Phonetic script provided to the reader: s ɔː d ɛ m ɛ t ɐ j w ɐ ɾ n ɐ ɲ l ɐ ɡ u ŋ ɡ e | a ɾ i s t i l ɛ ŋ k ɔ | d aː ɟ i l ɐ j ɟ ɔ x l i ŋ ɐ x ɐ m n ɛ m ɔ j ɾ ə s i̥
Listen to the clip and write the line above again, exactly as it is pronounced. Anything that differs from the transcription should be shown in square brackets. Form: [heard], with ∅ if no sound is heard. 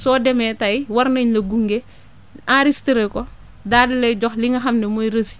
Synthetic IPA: s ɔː d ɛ m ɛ t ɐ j w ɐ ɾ n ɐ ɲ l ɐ ɡ u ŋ ɡ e | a ɾ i s t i [ɾ] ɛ [∅] k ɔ | d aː [d] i l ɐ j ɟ ɔ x l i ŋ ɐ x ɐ m n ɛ m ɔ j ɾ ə s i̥